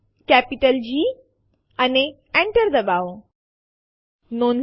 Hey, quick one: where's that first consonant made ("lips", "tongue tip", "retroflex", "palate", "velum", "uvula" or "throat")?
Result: velum